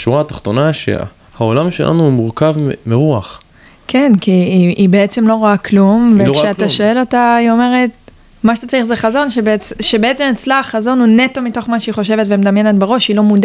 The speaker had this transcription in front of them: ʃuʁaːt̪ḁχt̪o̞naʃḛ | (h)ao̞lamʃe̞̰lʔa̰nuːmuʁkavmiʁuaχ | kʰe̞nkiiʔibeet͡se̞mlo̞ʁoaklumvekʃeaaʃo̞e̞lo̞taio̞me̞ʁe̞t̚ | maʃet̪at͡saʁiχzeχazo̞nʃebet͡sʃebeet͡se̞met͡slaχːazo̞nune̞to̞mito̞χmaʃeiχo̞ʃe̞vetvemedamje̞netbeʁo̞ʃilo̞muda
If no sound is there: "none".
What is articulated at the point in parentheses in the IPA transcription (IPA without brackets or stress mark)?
h